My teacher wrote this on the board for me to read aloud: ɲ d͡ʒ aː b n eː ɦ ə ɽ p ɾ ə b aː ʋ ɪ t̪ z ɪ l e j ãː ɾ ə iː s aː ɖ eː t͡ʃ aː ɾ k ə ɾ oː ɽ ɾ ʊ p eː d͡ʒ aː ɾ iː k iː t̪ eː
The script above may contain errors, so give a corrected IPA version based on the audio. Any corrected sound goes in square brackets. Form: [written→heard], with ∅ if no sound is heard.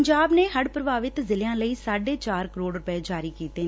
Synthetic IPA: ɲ d͡ʒ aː b n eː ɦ ə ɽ p ɾ ə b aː ʋ ɪ t̪ z ɪ l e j ãː [ɾ→l] ə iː s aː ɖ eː t͡ʃ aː ɾ k ə ɾ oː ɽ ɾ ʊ p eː d͡ʒ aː ɾ iː k iː t̪ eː

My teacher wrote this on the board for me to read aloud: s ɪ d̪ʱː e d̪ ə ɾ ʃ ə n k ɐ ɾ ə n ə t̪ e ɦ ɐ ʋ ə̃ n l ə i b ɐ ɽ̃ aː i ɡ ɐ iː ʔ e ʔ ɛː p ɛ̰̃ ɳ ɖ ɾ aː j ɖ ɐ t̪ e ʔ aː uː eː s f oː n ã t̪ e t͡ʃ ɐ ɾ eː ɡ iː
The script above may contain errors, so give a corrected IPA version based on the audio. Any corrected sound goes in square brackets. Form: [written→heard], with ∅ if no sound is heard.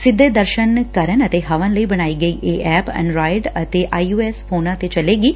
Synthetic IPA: s ɪ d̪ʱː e d̪ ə ɾ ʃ ə n k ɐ ɾ ə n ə t̪ e ɦ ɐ ʋ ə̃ n l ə i b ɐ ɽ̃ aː i ɡ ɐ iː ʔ e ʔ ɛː p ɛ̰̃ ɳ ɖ ɾ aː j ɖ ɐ t̪ e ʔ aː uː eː s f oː n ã t̪ e t͡ʃ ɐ [ɾ→l] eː ɡ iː

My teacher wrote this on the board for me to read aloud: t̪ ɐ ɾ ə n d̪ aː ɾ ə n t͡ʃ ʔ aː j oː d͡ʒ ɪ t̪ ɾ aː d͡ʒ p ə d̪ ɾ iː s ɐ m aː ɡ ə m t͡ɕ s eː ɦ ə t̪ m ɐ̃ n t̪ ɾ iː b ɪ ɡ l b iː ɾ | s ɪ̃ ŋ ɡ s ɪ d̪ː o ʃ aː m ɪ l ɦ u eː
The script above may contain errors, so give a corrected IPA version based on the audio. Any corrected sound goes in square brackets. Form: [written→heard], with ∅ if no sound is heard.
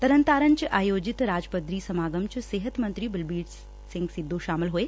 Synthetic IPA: t̪ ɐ ɾ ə n [d̪→t̪] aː ɾ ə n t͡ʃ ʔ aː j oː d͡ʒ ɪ t̪ ɾ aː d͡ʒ p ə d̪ ɾ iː s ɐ m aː ɡ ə m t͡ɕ s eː ɦ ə t̪ m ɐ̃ n t̪ ɾ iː b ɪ [ɡ→∅] l b iː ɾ | s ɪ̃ ŋ ɡ s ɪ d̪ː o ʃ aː m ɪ l ɦ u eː

